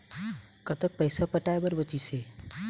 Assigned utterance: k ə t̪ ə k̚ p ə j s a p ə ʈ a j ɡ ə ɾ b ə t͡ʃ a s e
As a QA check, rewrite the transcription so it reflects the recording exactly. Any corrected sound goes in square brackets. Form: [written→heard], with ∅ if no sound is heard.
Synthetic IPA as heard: k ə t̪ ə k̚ p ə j s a p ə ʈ a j [ɡ→b] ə ɾ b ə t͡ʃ [a→i] s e